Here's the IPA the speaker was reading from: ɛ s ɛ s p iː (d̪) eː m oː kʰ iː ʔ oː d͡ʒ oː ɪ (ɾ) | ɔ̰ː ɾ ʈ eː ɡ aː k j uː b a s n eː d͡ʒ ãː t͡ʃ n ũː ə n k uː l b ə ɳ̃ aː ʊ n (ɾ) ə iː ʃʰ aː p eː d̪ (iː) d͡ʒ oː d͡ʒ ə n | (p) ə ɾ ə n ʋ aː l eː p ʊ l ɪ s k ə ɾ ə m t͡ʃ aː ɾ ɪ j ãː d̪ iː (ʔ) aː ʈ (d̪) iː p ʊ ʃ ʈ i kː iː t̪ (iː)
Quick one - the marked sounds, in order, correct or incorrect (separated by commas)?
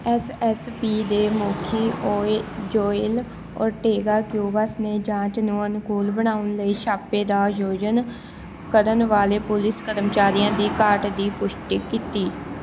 correct, incorrect, incorrect, incorrect, incorrect, incorrect, correct, correct